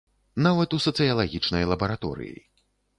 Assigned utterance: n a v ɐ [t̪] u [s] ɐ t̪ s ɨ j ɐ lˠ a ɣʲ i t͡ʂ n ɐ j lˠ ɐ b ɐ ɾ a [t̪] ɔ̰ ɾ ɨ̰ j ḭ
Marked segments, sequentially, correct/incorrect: correct, correct, correct

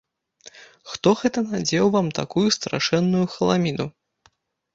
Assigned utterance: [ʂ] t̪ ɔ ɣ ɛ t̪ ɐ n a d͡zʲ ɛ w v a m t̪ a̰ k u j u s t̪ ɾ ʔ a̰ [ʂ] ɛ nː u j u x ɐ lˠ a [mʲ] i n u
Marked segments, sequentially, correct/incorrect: incorrect, correct, correct

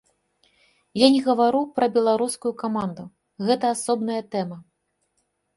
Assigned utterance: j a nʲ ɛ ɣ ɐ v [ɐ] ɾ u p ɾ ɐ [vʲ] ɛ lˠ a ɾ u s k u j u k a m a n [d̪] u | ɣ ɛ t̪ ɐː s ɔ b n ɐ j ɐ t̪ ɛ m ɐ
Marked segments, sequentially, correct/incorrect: incorrect, incorrect, correct

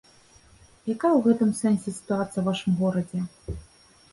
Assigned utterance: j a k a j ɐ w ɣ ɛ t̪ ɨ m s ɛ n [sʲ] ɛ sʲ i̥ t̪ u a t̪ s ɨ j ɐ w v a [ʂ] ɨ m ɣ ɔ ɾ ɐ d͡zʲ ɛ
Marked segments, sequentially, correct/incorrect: correct, correct

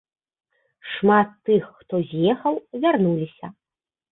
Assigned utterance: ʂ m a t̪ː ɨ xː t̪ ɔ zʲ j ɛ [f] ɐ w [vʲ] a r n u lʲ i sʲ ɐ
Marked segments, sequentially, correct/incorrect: incorrect, correct

